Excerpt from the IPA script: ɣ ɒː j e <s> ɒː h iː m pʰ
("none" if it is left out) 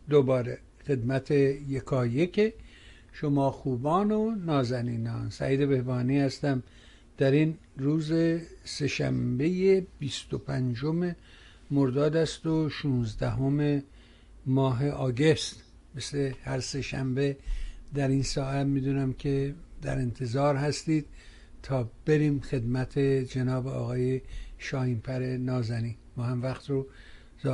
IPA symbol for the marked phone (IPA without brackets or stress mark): ʃ